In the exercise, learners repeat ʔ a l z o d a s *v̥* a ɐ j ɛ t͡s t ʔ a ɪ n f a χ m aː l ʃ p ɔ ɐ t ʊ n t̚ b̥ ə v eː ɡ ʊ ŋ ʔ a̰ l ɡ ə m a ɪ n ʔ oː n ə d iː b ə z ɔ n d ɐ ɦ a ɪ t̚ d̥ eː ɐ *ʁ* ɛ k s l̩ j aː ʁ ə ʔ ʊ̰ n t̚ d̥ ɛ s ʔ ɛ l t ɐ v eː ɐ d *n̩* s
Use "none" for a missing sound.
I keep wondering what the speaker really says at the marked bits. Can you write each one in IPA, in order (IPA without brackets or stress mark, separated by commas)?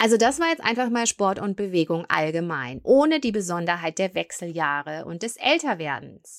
v̥, v, n̩